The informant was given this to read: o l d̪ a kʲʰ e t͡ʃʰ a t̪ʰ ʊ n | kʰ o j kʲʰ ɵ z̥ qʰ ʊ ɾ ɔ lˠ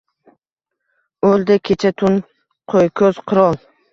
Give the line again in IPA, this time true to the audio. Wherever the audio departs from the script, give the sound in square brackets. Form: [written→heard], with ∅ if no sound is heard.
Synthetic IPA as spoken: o l d̪ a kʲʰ e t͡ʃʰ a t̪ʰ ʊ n | [kʰ→qʰ] o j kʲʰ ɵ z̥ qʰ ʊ ɾ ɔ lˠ